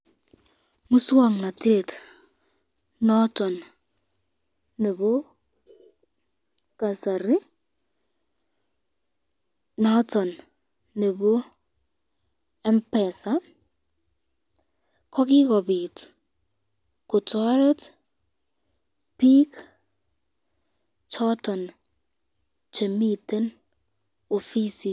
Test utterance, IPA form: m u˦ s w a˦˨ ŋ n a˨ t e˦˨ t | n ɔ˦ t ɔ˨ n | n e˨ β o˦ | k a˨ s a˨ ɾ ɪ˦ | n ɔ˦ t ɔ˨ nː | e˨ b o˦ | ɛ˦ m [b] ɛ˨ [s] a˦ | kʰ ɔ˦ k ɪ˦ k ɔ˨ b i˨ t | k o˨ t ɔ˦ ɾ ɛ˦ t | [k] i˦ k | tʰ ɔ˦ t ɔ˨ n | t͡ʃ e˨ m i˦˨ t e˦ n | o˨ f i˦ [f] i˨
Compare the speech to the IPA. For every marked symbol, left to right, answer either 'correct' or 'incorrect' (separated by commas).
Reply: incorrect, correct, incorrect, incorrect